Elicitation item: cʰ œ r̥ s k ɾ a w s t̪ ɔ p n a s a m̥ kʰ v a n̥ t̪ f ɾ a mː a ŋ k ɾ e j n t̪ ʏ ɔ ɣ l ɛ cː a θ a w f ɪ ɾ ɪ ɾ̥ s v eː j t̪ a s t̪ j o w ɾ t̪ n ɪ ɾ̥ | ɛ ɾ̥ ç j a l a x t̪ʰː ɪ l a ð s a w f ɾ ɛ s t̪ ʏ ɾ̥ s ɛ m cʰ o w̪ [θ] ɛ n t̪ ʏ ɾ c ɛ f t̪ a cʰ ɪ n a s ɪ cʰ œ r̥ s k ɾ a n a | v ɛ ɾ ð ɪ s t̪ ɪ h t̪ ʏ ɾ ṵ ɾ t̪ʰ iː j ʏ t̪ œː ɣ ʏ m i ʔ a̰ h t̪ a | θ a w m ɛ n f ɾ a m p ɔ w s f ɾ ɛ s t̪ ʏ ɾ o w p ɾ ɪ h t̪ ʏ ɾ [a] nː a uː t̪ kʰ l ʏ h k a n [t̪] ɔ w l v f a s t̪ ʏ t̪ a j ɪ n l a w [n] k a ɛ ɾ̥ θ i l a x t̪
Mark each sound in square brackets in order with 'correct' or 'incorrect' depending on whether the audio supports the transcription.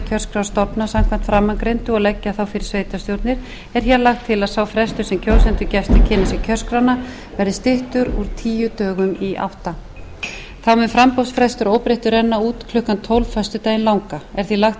incorrect: s, incorrect: ɛ, incorrect: t̪ʰ, incorrect: ŋ

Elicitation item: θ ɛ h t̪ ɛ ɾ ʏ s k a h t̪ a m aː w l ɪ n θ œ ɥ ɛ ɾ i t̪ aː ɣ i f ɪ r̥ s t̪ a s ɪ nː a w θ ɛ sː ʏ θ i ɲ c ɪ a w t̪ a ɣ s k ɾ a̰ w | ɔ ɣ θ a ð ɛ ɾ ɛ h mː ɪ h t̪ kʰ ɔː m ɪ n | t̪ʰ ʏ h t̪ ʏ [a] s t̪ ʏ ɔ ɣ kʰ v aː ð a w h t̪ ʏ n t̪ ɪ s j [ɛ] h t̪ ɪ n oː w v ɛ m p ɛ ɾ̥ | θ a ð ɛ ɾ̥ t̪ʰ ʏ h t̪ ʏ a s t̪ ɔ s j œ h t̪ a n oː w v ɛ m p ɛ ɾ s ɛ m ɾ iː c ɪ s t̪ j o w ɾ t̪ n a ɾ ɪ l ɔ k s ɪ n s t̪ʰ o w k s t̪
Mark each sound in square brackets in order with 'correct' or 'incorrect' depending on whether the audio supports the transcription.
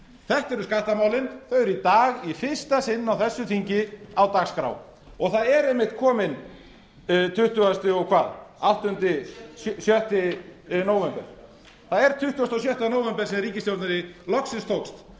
correct, incorrect: œ

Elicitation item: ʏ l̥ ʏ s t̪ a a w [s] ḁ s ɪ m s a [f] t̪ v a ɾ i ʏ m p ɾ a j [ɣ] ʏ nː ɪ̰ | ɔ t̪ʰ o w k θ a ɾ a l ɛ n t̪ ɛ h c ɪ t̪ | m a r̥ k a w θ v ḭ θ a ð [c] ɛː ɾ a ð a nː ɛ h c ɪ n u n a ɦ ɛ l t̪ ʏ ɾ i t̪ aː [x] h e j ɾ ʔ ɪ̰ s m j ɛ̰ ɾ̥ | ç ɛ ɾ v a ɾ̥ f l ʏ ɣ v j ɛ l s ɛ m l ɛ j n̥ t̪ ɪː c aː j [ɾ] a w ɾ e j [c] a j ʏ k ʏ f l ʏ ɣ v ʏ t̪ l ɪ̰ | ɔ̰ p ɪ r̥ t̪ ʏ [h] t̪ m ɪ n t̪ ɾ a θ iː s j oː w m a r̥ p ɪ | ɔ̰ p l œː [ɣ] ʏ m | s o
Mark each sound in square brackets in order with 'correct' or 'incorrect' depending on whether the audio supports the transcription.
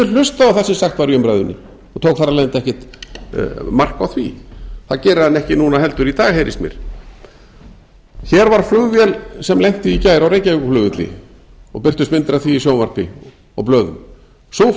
incorrect: θ, incorrect: x, incorrect: ð, correct, incorrect: ɣ, correct, correct, incorrect: s, incorrect: ð

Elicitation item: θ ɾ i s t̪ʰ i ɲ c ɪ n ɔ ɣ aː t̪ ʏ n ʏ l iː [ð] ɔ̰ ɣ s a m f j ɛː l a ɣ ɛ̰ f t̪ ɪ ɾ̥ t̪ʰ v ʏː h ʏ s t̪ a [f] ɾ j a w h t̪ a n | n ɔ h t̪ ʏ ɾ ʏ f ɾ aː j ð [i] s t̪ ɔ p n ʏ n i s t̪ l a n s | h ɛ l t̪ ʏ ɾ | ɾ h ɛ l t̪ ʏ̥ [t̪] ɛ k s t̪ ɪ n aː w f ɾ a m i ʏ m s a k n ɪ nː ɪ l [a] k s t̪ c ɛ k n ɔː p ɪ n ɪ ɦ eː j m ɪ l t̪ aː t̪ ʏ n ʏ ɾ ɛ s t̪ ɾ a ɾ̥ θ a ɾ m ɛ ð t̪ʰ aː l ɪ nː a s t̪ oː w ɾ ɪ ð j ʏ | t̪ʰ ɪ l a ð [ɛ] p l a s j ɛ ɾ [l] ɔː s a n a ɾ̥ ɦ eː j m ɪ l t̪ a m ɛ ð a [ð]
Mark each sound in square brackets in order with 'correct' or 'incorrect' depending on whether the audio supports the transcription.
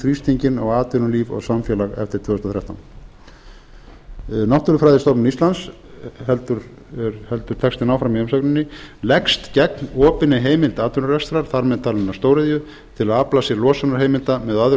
incorrect: v, incorrect: θ, incorrect: ɪ, incorrect: t̪ʰ, incorrect: ɛ, incorrect: a, correct, correct

